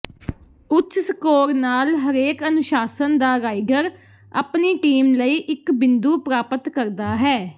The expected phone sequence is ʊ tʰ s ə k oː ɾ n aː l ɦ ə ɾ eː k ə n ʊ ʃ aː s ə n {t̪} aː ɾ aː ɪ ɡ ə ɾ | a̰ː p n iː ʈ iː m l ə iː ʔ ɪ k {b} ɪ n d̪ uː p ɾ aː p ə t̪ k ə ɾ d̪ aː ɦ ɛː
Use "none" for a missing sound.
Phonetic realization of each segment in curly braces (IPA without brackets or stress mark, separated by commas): d̪, b